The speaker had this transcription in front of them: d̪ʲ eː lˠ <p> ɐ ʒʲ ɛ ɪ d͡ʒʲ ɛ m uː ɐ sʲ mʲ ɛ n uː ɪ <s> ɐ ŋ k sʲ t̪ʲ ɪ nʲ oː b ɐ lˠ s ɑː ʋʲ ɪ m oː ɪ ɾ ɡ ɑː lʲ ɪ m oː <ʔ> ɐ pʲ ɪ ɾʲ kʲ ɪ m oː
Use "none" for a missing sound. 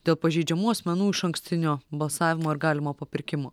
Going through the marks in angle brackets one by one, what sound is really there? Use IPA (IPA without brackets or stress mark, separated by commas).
p, ʃ, p